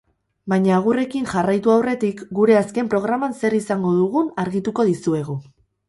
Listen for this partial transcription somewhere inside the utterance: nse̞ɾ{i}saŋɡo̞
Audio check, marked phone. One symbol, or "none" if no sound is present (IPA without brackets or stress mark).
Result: i